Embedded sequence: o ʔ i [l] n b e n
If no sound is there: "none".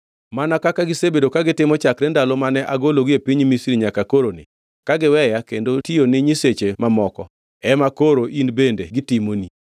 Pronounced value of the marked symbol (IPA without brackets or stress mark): none